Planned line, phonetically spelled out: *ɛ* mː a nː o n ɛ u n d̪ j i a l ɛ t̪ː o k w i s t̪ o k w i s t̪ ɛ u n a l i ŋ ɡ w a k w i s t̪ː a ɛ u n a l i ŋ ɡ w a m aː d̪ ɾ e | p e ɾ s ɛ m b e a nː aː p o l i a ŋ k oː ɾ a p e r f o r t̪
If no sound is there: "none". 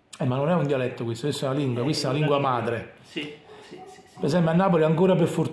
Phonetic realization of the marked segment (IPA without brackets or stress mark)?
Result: ɛ